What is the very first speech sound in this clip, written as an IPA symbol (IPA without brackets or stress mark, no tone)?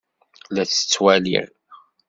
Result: l